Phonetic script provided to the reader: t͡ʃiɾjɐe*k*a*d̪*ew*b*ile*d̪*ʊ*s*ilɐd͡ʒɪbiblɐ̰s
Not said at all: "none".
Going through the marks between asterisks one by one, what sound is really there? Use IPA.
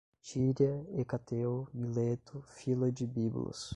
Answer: k, t̪, m, t̪, f

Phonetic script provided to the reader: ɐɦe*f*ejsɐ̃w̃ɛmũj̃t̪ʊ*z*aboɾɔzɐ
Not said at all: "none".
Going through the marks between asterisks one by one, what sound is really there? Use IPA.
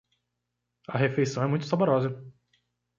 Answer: f, s

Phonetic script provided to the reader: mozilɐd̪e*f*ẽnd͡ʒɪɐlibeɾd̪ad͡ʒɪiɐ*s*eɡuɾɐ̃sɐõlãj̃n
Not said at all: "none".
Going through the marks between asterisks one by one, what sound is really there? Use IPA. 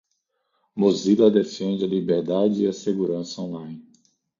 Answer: f, s

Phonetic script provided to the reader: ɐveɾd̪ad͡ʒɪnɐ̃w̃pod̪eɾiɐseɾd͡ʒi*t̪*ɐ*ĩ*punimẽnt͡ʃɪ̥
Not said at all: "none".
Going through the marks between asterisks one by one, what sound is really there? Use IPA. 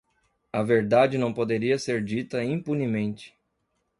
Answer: t̪, ĩ

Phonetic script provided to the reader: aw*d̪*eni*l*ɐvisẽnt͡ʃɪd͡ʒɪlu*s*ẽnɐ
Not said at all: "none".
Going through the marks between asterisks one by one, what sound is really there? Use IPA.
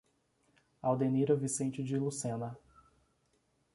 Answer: d̪, ɾ, s

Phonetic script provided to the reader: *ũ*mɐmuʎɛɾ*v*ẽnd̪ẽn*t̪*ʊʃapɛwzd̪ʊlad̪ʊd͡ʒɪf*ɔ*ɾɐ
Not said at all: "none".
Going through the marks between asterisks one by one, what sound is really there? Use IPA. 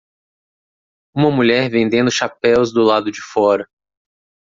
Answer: ũ, v, d̪, ɔ

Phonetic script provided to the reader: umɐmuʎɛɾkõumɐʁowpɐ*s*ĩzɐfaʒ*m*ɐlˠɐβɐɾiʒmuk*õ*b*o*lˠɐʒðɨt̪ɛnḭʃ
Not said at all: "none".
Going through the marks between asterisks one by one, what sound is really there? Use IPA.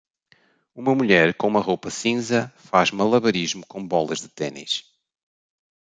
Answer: s, m, õ, ɔ

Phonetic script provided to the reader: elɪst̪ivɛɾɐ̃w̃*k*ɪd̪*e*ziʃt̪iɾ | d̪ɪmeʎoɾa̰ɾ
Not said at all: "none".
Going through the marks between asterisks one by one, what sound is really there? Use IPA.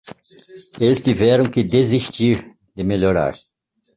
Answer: k, e

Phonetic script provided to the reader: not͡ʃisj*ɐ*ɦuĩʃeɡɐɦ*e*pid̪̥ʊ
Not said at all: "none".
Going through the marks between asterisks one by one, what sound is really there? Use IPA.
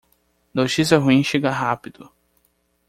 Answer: ɐ, a

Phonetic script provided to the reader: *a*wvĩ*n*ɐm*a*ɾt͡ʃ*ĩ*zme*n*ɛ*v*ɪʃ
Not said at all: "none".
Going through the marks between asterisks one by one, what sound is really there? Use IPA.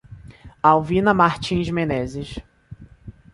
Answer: a, n, a, ĩ, n, z

